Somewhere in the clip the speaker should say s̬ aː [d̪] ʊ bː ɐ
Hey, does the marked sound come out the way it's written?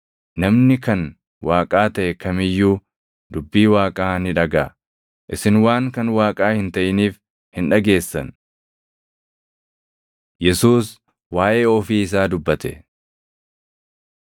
yes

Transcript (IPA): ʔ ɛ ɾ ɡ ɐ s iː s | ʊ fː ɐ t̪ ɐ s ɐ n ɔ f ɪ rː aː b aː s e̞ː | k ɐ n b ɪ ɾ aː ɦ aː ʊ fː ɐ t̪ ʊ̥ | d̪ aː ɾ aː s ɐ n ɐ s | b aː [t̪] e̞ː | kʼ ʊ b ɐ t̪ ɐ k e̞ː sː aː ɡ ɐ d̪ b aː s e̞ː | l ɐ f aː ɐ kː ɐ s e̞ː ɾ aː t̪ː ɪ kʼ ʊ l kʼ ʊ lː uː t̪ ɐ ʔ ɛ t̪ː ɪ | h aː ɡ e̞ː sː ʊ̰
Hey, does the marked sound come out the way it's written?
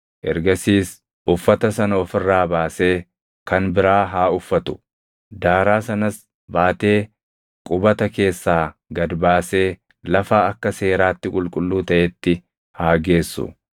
yes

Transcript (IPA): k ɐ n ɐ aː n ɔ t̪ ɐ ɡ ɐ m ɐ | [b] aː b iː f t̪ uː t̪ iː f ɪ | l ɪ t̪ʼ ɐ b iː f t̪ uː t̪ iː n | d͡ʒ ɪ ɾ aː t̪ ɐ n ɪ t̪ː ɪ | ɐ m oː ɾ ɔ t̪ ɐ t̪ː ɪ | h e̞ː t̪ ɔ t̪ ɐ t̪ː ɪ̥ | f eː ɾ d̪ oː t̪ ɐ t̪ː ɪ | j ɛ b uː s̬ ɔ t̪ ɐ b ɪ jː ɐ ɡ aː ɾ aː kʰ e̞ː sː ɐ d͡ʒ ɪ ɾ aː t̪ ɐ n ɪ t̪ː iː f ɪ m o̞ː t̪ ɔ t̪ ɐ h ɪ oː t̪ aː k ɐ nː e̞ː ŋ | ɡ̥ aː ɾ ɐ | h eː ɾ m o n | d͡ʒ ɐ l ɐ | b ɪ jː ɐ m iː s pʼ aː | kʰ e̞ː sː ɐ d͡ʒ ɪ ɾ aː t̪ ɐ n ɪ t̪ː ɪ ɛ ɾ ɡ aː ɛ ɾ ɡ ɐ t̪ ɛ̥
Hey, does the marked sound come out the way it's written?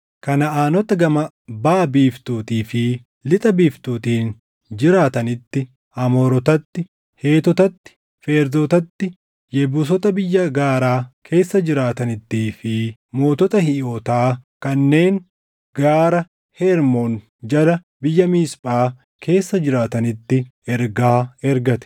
yes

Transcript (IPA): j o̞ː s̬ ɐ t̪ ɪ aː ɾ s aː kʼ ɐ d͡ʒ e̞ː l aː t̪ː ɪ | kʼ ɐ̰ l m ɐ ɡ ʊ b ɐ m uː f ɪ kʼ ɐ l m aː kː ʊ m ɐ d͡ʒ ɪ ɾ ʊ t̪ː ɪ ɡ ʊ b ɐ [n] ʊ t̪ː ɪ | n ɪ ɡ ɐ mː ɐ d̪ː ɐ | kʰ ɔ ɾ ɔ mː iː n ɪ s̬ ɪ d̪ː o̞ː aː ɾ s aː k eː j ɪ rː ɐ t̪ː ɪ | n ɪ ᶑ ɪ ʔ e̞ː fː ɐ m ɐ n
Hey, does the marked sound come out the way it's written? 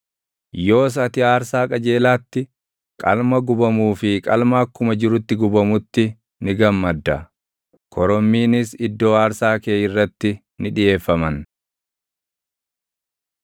no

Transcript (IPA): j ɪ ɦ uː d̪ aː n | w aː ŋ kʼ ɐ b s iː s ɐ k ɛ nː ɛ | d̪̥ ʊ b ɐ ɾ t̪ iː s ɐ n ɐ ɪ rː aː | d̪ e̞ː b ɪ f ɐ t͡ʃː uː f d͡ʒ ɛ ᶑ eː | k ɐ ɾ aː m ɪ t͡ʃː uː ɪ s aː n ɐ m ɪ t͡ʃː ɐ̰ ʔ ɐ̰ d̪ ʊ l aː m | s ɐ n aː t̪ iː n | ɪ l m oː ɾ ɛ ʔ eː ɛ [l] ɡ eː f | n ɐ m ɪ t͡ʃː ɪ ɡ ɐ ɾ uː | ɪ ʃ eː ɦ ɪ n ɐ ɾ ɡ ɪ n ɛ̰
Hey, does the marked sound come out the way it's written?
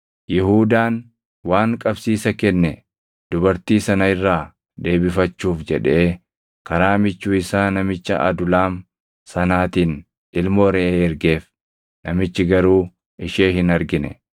no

